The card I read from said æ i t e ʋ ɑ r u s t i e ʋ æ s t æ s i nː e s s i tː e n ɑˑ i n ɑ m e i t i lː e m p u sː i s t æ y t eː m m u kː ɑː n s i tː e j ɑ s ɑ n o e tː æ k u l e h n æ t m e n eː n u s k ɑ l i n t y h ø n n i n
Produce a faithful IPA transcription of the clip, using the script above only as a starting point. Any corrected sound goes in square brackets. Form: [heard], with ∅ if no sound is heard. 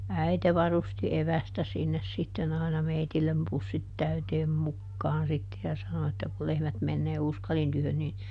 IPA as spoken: æ i t e ʋ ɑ r u s t i e ʋ æ s t æ s i nː e s s i tː e n ɑˑ i n ɑ m e i t i lː e m p u sː i [t] t æ y t eː m m u kː ɑː n s i tː e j ɑ s ɑ n o e tː æ k u l e h [m] æ t m e [nː] eː [∅] u s k ɑ l i n t y h ø n n i n